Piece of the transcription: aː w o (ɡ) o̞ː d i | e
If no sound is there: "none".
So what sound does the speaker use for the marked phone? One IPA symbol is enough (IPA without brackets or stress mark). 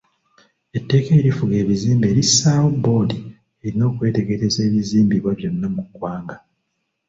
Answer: b